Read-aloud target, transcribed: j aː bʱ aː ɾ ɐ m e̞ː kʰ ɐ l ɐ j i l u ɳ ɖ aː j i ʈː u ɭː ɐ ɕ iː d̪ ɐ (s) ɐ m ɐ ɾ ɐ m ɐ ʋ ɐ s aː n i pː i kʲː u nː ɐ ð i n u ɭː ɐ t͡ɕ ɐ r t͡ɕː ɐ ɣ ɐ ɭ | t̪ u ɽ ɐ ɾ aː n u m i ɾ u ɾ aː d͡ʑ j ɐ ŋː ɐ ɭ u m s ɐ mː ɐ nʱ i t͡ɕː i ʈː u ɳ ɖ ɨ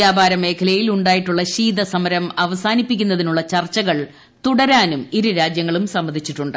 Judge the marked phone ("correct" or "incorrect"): correct